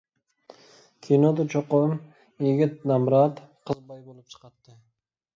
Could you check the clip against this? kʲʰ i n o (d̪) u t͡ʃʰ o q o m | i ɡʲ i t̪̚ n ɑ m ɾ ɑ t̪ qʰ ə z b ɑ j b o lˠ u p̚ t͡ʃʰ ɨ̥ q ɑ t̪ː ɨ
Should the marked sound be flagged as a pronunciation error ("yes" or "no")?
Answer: no